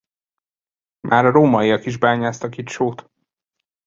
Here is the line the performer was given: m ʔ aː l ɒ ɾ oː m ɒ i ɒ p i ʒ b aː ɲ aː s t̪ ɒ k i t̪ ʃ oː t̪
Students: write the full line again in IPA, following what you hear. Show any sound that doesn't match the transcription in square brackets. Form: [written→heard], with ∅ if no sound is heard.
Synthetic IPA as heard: m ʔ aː [l→ɾ] ɒ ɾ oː m ɒ i ɒ [p→k] i ʒ b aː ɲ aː s t̪ ɒ k i t̪ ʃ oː t̪